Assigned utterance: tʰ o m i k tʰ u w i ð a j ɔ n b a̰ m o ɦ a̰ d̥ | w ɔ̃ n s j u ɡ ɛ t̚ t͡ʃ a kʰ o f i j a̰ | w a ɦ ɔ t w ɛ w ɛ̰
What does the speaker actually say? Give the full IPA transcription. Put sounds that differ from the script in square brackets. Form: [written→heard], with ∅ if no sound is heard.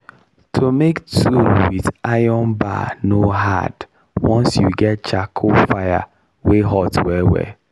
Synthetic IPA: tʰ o m [i→e] k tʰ u w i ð a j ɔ n b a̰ [m→n] o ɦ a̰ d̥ | w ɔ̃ n s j u ɡ ɛ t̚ t͡ʃ a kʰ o f [i→a] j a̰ | w [a→e] ɦ ɔ t w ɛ w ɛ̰

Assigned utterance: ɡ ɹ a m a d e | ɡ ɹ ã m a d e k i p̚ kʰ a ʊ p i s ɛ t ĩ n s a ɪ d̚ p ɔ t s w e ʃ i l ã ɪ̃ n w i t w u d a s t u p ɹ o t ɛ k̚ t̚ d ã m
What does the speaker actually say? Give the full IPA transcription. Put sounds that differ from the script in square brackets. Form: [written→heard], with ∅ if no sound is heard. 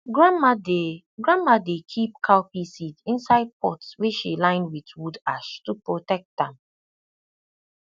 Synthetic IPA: ɡ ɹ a m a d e | ɡ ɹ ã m a d e [k→kʰ] i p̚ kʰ a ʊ p i s [ɛ→i] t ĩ n s a ɪ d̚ p ɔ t s w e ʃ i l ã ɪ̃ n w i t w u d a [s→ʃ] t u p ɹ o t ɛ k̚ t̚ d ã m

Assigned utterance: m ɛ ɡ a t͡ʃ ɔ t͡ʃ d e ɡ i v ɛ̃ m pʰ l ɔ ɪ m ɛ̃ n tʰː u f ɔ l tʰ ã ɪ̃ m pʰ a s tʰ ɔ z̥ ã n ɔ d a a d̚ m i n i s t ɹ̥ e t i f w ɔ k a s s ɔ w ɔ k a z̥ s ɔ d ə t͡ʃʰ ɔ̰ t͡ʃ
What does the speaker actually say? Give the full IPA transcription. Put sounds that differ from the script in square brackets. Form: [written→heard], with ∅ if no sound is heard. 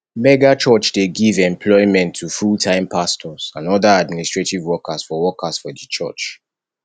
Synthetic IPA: m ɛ ɡ a t͡ʃ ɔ t͡ʃ d e ɡ i v ɛ̃ m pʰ l ɔ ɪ m ɛ̃ n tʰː u f [ɔ→u] l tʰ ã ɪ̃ m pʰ a s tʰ ɔ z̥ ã n ɔ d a a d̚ m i n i s t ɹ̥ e t i [f→v] w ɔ k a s [s→f] ɔ w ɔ k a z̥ [s→f] ɔ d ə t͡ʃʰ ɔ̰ t͡ʃ

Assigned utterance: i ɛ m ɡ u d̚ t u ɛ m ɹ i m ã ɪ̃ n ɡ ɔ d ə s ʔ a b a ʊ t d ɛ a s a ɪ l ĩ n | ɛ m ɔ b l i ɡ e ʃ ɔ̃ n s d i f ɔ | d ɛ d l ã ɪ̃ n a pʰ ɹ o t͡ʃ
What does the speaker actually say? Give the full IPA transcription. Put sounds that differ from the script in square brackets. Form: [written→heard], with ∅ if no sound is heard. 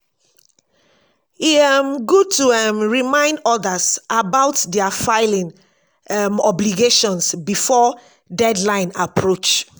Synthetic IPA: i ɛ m ɡ u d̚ t u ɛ m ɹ i m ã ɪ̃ n [ɡ→d] ɔ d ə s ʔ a b a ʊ t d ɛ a [s→f] a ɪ l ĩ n | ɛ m ɔ b l i ɡ e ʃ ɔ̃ n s [d→b] i f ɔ | d ɛ d l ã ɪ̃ n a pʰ ɹ o t͡ʃ

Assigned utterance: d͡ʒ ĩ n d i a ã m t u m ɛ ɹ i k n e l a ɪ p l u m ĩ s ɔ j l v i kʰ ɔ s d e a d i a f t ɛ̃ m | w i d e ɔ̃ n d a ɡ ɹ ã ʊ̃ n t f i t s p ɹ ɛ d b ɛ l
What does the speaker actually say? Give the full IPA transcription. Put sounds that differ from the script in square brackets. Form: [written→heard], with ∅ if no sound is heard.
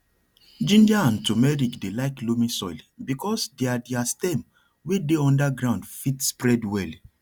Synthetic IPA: d͡ʒ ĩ n d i a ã [m→n] t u m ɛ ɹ i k [n→d] e l a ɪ [p→k] l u m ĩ s ɔ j l [v→b] i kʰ ɔ s d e a d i a [f→s] t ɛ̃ m | w [i→e] d e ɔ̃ n d a ɡ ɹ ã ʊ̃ n [t→d] f i t s p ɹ ɛ d [b→w] ɛ l

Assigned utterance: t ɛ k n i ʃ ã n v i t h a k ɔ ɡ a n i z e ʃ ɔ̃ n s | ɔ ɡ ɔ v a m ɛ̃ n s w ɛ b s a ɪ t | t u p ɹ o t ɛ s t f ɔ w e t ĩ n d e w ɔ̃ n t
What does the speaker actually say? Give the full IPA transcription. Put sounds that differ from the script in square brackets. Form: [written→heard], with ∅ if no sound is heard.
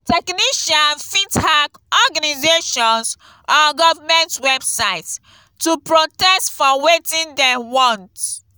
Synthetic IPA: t ɛ k n i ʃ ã n [v→f] i t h a k ɔ ɡ a n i z e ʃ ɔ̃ n s | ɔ ɡ ɔ v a m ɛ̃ n [s→t] w ɛ b s a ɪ t | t u p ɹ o t ɛ s t f ɔ w e t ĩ n d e w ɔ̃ n t

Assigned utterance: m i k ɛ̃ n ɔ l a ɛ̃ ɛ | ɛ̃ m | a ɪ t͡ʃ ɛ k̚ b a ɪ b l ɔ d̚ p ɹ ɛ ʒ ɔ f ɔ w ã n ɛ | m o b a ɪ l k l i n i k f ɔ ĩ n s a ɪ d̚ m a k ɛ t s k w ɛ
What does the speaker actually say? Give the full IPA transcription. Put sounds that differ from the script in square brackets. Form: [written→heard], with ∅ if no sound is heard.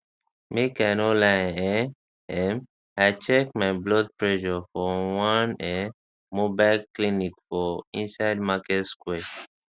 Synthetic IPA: m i k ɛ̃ n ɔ l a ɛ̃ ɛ | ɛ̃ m | a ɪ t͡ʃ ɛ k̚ [b→m] a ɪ b l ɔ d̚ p ɹ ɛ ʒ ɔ f ɔ w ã n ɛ | m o b a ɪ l k l i n i k f ɔ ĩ n s a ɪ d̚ m a k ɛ t s k w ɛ

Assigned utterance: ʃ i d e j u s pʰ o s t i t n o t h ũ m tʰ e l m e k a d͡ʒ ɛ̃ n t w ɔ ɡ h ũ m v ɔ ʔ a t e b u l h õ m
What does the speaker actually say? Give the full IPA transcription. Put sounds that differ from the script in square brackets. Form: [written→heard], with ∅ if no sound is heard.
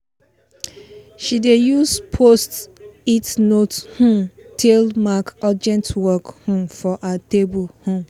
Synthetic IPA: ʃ i d e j u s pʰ o s t i t n o t h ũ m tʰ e l m [e→a] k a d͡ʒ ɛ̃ n t w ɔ [ɡ→k] h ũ m [v→f] ɔ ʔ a t e b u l h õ m

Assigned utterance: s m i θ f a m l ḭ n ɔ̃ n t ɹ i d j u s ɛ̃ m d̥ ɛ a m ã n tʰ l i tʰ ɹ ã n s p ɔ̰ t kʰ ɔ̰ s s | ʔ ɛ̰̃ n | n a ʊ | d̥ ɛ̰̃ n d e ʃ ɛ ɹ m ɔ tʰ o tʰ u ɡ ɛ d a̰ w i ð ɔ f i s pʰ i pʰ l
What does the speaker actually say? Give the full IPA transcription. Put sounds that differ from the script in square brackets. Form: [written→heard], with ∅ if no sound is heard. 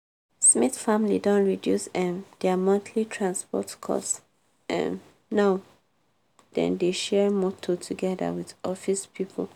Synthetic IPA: s m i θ f a m l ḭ [n→d] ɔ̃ n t ɹ i d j u s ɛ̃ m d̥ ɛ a m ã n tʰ l i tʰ ɹ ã n s p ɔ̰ t kʰ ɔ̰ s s | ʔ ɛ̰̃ n | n a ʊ | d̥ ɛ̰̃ n d e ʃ ɛ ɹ m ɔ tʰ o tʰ u ɡ ɛ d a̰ w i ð ɔ f i s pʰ i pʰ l

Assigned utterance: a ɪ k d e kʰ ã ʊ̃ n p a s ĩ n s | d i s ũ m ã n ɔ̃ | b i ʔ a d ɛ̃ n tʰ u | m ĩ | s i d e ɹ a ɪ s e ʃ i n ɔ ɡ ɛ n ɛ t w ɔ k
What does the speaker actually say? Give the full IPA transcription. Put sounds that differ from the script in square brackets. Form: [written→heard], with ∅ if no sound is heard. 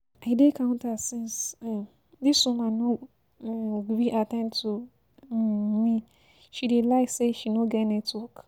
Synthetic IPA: a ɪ [k→∅] d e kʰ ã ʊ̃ n [p→t] a s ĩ n s | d i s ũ m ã n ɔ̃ | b i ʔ a [d→t] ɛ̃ n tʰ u | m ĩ | [s→ʃ] i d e [ɹ→l] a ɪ s e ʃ i n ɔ ɡ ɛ n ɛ t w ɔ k

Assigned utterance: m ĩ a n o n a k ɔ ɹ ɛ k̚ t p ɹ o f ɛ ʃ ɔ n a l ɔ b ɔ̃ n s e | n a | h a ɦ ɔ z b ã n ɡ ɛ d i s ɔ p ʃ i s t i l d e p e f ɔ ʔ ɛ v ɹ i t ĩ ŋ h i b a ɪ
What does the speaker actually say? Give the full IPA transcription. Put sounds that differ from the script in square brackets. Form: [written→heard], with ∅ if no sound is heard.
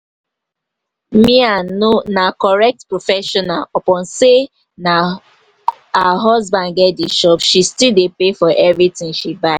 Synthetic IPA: m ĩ a n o n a k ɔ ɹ ɛ k̚ t p ɹ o f ɛ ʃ ɔ n a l ɔ [b→p] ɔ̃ n s e | n a | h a ɦ ɔ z b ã n ɡ ɛ d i [s→ʃ] ɔ p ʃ i s t i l d e p e f ɔ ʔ ɛ v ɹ i t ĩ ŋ [h→ʃ] i b a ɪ

